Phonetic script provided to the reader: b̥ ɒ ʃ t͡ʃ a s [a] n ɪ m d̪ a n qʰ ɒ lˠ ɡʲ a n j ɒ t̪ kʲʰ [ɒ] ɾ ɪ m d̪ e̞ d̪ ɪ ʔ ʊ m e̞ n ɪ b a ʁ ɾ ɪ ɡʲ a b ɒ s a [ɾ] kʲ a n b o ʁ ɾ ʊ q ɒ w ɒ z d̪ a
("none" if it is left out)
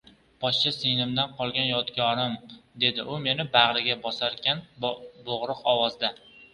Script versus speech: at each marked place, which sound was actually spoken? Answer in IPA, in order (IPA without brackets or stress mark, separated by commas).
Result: e, ɒ, ɾ